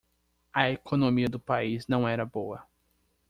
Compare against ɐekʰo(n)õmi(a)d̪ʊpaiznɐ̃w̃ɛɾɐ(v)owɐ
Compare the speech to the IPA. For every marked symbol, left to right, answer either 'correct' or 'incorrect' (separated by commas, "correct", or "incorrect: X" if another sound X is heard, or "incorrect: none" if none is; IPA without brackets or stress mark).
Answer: correct, incorrect: ɐ, incorrect: b